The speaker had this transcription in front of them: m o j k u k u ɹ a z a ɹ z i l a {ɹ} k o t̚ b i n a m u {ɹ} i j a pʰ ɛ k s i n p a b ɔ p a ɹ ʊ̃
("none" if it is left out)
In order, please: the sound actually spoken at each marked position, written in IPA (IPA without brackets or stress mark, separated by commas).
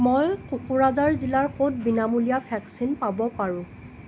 ɹ, l